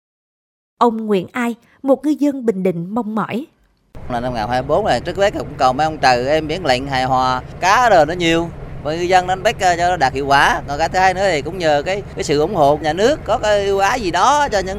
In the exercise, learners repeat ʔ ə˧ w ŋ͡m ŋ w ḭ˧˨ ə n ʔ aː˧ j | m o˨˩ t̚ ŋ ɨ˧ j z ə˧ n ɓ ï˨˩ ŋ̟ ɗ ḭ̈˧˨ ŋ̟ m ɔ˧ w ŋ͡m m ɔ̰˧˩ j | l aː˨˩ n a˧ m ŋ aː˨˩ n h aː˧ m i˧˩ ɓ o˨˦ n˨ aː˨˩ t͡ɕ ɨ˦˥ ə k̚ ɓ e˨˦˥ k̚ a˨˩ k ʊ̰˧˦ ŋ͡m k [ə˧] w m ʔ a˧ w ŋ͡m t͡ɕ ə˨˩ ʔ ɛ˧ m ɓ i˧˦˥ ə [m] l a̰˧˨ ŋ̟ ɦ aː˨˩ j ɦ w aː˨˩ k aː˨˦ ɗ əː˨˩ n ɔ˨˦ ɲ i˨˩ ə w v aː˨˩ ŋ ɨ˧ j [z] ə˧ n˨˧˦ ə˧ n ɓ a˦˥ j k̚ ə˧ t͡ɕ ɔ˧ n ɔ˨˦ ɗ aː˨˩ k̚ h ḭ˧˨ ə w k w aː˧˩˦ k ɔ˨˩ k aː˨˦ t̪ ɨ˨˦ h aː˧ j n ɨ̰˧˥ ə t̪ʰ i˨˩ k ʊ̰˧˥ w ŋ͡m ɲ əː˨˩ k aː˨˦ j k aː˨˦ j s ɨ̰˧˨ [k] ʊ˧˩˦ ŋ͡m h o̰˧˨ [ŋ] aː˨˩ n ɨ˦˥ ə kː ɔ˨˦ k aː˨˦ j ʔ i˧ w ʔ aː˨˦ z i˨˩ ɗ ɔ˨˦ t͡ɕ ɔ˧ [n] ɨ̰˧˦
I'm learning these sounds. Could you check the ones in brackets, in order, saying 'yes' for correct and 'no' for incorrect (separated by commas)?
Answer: no, no, yes, no, no, no